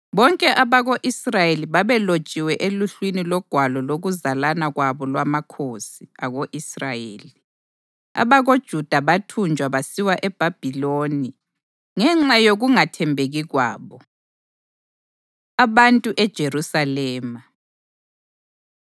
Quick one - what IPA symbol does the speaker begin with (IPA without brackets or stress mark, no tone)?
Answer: β